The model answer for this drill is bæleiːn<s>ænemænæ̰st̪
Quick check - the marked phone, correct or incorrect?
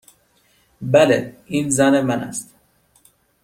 incorrect